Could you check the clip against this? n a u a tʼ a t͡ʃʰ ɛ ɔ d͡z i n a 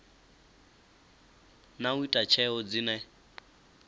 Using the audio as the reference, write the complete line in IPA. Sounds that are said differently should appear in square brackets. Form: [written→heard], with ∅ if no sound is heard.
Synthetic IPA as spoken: n a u [a→i] tʼ a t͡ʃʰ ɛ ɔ d͡z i n [a→ɛ]